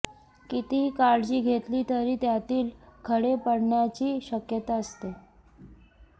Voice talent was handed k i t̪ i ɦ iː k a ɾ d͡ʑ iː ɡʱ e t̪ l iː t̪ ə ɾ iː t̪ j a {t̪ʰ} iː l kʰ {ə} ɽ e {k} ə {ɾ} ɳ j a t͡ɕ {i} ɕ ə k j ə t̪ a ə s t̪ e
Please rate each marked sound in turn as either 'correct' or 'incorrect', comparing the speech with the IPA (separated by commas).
incorrect, correct, incorrect, incorrect, incorrect